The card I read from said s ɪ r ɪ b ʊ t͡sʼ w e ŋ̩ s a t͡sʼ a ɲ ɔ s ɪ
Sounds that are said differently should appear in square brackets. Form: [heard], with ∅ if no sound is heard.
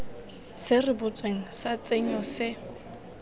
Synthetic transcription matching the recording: s ɪ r ɪ b ʊ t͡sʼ w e ŋ̩ s a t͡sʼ [e] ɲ ɔ s ɪ

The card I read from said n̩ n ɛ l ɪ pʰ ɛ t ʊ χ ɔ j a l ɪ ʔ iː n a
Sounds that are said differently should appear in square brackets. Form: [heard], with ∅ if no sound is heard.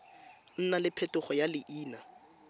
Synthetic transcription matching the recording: n̩ n [a] l ɪ pʰ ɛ t ʊ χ ɔ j a l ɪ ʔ iː n a

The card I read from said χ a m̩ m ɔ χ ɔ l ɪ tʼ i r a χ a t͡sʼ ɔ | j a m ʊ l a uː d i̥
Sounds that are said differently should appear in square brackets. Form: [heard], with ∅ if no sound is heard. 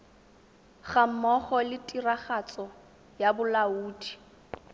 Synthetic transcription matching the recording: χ a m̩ m ɔ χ ɔ l ɪ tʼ i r a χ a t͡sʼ ɔ | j a [b] ʊ l a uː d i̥

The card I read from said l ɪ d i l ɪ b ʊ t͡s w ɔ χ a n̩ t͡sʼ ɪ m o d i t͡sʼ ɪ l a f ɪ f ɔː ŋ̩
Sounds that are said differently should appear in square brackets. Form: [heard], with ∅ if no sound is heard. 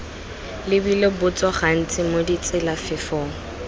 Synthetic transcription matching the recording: l ɪ [b] i l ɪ b ʊ t͡s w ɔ χ a n̩ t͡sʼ ɪ m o d i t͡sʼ ɪ l a f ɪ f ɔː ŋ̩

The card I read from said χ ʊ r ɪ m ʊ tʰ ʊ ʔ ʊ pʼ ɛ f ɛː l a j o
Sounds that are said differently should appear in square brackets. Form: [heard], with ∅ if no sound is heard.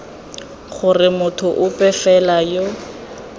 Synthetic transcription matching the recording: χ ʊ r ɪ m ʊ tʰ ʊ ʔ ʊ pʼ ɛ f [ɛ] l a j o

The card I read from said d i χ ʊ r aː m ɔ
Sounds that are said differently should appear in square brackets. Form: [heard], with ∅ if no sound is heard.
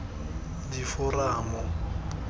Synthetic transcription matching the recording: d i [f] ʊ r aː m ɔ

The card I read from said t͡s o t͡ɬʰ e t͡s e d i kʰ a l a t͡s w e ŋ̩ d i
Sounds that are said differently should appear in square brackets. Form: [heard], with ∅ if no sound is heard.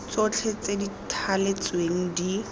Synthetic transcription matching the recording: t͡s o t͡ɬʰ e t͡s e d i [tʰ] a l [e] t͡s w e ŋ̩ d i

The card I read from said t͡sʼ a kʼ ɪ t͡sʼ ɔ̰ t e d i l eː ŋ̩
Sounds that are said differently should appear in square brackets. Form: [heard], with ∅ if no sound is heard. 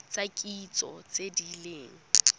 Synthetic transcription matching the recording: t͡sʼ a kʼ [i] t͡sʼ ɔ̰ [t͡s] e d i l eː ŋ̩

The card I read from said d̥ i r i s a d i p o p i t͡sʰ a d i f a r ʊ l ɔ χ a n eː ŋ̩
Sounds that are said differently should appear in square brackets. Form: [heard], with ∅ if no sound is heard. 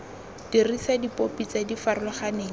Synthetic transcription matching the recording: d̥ i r i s a d i p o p i [t͡s] a d i f a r ʊ l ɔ χ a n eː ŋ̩

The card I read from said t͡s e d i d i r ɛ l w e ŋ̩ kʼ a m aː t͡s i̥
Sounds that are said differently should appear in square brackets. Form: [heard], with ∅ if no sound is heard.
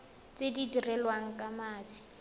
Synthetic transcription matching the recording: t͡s e d i d i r ɛ l w [a] ŋ̩ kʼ a m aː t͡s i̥

